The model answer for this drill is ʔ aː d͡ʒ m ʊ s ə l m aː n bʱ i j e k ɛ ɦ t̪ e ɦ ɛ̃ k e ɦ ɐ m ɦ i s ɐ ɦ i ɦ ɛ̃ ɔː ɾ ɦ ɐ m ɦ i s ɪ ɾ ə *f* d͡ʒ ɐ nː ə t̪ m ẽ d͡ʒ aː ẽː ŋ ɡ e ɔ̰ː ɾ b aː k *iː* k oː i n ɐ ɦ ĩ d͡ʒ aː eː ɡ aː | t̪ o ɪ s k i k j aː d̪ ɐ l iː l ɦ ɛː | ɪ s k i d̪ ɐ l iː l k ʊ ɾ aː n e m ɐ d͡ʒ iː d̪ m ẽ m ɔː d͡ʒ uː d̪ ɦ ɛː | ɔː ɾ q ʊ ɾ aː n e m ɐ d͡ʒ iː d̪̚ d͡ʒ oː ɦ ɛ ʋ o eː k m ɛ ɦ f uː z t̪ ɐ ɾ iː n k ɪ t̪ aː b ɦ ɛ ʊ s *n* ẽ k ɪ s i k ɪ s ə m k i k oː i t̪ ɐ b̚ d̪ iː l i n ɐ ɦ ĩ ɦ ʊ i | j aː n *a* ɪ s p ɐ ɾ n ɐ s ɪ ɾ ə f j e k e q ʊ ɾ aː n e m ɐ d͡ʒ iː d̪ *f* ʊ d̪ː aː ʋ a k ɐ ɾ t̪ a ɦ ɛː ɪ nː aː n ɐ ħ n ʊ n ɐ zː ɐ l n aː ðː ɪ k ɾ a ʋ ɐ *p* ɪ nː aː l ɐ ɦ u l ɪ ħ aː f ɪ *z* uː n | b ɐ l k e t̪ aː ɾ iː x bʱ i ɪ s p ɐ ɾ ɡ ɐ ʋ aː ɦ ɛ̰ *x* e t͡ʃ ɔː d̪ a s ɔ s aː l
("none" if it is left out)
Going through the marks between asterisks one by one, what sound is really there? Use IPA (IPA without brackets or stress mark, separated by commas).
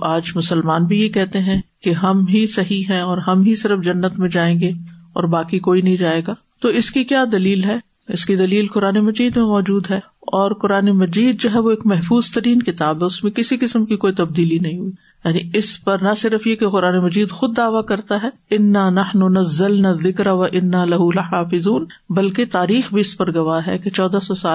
f, i, m, i, x, ʔ, z, k